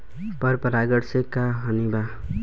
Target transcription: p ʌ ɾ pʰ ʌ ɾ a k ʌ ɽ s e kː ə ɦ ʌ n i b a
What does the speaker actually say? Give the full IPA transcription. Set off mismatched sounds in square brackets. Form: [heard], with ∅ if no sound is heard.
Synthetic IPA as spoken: p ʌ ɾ [p] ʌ ɾ a [ɡ] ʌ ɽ s e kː [a] ɦ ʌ n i b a